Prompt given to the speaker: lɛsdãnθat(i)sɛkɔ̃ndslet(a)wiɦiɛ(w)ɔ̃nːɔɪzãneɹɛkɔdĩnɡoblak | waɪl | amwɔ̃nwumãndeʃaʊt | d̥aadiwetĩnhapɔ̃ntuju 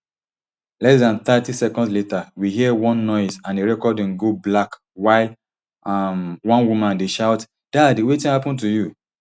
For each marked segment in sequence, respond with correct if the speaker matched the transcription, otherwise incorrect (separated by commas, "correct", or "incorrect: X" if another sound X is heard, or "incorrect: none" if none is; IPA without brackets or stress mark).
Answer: correct, correct, correct